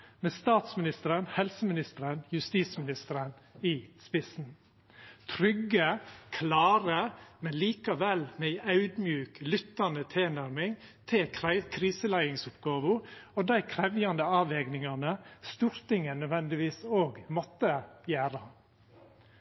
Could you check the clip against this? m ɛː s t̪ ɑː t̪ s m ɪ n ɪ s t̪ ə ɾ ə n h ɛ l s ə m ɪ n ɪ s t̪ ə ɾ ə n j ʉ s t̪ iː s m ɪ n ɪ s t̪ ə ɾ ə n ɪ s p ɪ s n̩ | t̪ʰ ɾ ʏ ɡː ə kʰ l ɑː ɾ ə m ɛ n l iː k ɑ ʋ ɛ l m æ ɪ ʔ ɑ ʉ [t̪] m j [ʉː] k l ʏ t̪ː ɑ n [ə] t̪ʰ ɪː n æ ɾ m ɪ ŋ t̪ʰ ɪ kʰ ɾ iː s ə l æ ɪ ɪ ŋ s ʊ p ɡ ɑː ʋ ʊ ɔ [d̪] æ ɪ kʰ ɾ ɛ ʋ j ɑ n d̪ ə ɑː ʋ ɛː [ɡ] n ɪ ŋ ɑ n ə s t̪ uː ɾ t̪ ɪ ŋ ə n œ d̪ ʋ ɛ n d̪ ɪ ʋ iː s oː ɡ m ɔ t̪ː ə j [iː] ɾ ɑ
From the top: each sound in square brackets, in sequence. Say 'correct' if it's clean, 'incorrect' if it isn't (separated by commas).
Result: incorrect, correct, correct, correct, correct, incorrect